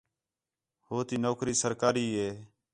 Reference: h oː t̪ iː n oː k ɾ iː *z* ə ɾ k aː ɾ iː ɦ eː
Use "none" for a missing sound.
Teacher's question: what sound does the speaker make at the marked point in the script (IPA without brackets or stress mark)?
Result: s